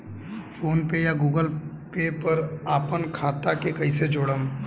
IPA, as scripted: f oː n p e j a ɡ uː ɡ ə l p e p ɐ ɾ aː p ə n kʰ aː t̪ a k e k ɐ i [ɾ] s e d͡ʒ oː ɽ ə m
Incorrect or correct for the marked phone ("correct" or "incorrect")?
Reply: incorrect